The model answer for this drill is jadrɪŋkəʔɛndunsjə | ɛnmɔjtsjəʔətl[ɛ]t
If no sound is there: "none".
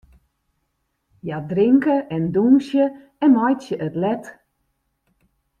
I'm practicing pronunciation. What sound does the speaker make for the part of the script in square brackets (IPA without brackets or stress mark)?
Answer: ɛ